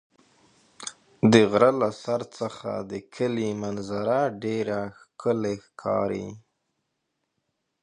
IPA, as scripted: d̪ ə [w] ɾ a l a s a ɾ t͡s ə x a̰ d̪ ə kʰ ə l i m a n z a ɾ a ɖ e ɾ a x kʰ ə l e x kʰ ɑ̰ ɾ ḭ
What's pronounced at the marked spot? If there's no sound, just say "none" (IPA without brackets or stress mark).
ɣ